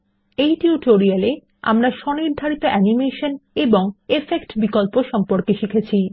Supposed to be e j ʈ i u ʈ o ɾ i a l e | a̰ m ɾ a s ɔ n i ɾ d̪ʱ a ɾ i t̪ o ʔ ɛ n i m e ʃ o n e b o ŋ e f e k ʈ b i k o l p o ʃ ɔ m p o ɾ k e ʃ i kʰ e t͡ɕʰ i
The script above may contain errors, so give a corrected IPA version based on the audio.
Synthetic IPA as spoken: e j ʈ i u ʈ o ɾ i a l e | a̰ m ɾ a ʃ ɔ n i ɾ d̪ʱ a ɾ i t̪ o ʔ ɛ n i m e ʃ o n e b o ŋ e f e k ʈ b i k o l p o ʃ ɔ m p o ɾ k e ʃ i kʰ e t͡ɕʰ i